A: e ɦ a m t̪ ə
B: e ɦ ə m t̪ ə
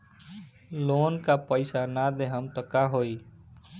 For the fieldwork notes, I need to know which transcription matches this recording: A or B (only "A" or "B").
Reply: B